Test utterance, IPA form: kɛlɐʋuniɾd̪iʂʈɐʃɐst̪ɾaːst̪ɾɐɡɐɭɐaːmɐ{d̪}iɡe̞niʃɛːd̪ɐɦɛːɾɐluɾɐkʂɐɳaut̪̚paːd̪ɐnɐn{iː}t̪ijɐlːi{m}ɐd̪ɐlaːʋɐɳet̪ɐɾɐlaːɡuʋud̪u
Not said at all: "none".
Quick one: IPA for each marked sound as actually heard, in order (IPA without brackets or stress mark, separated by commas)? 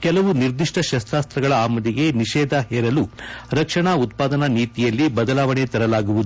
d̪, iː, b